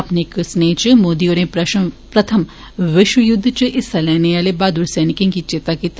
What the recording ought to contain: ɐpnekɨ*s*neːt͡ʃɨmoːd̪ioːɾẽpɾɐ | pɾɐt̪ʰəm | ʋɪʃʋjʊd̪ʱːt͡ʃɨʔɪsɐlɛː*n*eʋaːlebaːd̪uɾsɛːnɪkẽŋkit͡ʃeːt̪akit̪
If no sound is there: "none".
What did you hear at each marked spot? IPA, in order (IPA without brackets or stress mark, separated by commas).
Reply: s, n